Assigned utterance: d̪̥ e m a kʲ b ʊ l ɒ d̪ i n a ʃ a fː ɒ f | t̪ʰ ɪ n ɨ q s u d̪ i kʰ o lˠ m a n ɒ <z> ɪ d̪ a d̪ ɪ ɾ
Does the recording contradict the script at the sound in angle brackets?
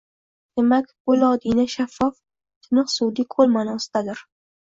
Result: yes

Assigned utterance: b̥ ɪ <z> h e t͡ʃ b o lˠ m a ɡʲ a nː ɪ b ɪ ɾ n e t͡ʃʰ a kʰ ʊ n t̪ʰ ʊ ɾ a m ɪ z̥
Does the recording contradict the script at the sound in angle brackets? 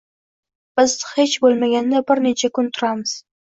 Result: no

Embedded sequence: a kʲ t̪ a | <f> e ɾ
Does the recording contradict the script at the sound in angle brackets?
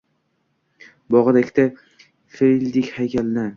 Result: no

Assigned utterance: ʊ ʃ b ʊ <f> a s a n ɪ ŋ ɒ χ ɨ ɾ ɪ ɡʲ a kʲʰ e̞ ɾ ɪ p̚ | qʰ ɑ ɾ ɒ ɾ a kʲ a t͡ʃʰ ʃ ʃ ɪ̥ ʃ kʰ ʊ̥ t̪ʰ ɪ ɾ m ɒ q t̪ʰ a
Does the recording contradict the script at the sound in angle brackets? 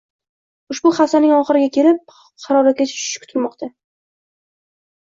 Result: yes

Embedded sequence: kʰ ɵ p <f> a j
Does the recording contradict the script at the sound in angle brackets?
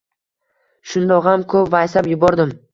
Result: yes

